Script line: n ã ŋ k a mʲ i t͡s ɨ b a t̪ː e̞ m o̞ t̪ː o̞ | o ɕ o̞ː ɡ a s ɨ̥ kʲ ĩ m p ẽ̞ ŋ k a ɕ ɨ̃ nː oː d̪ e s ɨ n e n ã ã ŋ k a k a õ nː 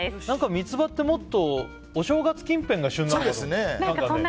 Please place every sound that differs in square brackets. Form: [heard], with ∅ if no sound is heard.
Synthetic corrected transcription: n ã ŋ k a mʲ i t͡s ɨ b a t̪ː e̞ m o̞ t̪ː o̞ | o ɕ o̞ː ɡ a [t͡s] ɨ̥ kʲ ĩ m p ẽ̞ ŋ [ɡ] a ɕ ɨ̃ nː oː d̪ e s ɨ n e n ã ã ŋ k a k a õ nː